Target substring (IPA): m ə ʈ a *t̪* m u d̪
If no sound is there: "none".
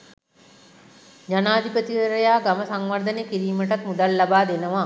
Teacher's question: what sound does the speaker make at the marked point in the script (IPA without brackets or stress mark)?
t̪